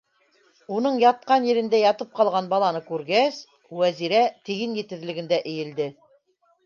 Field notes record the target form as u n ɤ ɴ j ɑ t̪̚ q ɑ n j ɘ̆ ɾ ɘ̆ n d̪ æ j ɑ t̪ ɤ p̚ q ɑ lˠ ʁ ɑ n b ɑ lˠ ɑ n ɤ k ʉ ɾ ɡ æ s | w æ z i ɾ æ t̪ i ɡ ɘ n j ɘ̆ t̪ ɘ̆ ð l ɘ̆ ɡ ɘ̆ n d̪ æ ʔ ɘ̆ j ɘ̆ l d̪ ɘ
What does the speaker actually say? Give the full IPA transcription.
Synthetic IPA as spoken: u n ɤ ɴ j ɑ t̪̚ q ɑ n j ɘ̆ ɾ ɘ̆ n d̪ æ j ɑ t̪ ɤ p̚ q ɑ lˠ ʁ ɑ n b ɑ lˠ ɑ n ɤ k ʉ ɾ ɡ æ s | w æ z i ɾ æ t̪ i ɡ ɘ n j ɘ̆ t̪ ɘ̆ ð l ɘ̆ ɡ ɘ̆ n d̪ æ ʔ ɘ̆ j ɘ̆ l d̪ ɘ